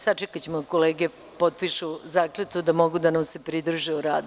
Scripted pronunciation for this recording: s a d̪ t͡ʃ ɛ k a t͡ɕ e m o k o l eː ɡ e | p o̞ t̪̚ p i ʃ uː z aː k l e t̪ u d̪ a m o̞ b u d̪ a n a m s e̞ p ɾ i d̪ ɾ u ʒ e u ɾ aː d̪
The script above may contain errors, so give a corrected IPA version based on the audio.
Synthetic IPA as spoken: s a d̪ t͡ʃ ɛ k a t͡ɕ e m o k o l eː ɡ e | p o̞ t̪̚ p i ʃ u z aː k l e t̪ u d̪ a m o̞ ɡ u d̪ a n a m s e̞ p ɾ i d̪ ɾ u ʒ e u ɾ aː d̪